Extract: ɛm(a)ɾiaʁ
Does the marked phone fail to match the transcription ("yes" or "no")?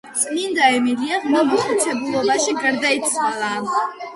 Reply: yes